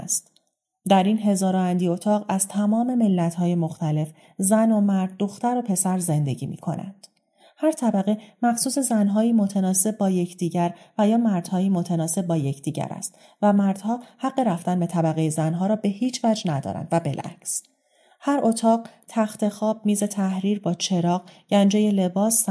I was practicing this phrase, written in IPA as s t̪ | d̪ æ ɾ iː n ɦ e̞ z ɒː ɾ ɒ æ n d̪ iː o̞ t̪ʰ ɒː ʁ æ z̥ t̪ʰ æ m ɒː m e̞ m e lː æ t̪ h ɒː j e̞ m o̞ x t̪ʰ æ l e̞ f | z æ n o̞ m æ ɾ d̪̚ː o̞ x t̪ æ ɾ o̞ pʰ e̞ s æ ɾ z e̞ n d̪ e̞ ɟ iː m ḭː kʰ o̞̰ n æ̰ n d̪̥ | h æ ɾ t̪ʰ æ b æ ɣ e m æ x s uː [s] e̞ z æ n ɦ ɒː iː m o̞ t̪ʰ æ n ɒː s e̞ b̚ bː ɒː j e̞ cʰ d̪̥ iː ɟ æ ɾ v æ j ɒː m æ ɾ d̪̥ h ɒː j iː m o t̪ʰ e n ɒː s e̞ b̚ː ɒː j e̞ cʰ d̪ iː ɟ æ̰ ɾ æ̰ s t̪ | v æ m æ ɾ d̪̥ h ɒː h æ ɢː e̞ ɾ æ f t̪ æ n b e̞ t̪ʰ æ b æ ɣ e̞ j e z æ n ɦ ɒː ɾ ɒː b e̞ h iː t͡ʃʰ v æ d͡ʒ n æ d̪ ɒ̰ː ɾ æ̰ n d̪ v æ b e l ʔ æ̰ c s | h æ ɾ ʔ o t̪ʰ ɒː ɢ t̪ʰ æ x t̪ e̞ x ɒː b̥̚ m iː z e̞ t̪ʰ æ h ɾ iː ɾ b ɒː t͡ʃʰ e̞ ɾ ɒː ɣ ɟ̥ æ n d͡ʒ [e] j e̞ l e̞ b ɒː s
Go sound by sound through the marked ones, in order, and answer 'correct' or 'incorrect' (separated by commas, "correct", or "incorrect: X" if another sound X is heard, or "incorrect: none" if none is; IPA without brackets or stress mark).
correct, correct